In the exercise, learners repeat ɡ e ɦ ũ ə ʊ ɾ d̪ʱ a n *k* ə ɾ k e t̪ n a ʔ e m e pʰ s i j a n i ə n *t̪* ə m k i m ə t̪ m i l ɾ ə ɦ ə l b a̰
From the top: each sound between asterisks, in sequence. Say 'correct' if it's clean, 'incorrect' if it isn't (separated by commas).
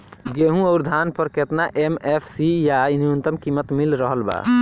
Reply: incorrect, correct